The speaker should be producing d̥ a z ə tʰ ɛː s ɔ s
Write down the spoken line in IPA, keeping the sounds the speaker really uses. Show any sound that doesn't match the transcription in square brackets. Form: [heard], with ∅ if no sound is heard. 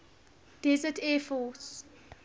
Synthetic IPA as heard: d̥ [ɛ] z ə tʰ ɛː [f] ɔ s